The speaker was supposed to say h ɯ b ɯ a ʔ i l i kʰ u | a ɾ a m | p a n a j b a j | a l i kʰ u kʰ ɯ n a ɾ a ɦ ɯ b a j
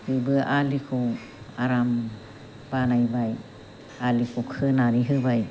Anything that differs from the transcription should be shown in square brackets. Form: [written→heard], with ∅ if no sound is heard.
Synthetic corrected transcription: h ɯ b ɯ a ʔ [i→a] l i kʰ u | a ɾ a m | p a n a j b a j | a l i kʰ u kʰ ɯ n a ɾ [a→i] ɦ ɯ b a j